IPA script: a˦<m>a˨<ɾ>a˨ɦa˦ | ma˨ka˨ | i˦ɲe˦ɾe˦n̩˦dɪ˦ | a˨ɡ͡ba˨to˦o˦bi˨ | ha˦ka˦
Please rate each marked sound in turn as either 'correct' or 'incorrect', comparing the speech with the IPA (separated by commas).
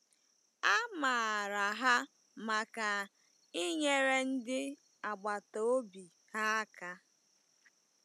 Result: correct, correct